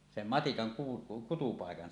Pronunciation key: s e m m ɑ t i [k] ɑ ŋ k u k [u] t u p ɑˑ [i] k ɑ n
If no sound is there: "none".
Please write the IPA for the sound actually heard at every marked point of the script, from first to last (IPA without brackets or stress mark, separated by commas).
k, u, e